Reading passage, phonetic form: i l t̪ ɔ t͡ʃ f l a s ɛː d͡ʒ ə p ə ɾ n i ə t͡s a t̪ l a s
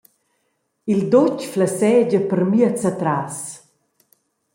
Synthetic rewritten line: i l d̪ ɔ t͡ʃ f l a s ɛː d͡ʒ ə p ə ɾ m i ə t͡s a t̪ ɾ a s

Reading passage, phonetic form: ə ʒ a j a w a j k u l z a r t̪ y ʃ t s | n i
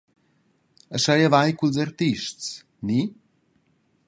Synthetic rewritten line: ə ʃ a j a v a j k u l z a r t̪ i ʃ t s | n i

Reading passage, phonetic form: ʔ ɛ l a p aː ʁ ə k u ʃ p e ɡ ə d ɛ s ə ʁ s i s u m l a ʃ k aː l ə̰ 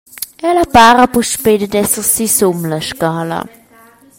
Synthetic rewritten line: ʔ ɛ l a p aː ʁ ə p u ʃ p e d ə d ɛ s ə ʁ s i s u m l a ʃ k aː l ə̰

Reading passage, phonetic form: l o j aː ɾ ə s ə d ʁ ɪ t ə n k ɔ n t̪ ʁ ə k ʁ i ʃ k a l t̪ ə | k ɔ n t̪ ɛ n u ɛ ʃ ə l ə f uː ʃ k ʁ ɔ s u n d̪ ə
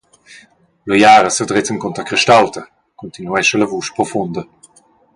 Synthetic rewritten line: l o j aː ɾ ə s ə d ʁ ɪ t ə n k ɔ n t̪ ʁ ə k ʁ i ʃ t a l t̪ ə | k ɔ n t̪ i n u ɛ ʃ ə l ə v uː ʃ p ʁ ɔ f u n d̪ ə

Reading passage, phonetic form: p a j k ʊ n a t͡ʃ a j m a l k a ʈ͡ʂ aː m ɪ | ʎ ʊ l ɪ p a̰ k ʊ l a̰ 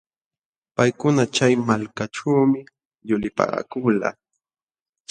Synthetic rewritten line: p a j k ʊ n a t͡ʃ a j m a l k a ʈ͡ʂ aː m ɪ | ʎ ʊ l ɪ p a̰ k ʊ l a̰

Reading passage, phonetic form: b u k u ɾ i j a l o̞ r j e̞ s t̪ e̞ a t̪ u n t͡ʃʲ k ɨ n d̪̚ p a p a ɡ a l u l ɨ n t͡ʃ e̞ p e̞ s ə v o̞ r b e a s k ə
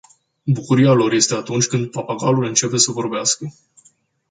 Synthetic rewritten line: b u k u ɾ i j a l o̞ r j e̞ s t̪ e̞ a t̪ u n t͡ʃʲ k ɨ n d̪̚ p a p a ɡ a l u l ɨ n t͡ʃ e̞ p e̞ s ə v o̞ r b e a s k ə

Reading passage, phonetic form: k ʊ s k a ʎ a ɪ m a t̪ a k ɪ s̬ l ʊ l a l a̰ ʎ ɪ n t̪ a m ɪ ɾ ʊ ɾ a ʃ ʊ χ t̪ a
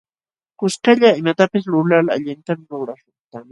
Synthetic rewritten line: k ʊ s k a ʎ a ɪ m a t̪ a p ɪ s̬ l ʊ l a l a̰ ʎ ɪ n t̪ a m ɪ ɾ ʊ ɾ a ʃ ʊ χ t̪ a

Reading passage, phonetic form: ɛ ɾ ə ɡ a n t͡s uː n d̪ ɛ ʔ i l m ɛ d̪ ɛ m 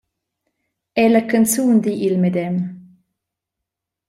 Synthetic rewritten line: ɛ l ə k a n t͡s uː n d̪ i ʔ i l m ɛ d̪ ɛ m

